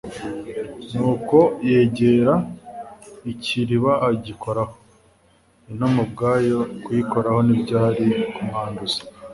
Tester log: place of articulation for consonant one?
alveolar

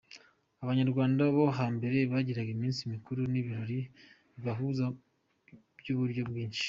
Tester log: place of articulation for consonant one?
labial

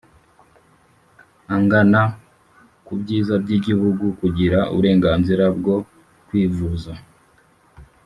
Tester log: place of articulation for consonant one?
velar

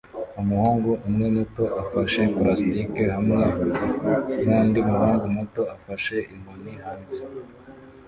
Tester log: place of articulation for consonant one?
labial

